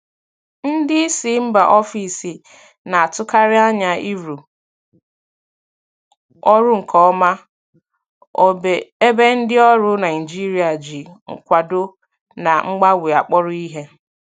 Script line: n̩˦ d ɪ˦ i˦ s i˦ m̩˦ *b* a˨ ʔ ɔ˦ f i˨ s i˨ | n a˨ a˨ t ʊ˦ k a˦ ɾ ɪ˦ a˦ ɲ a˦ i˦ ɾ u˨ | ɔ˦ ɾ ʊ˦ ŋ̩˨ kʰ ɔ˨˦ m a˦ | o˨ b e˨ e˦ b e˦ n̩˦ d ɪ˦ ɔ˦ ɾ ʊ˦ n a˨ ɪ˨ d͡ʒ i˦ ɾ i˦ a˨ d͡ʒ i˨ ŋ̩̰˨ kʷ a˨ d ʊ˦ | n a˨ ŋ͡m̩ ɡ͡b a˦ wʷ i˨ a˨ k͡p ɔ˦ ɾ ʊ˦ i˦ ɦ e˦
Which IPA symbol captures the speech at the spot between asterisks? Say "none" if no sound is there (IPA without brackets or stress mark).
b